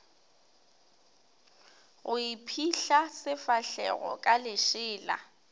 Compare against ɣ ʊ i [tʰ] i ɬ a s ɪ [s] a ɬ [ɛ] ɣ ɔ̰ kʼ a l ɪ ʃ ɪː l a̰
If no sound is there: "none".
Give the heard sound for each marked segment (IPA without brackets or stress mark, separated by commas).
pʰ, f, ɛ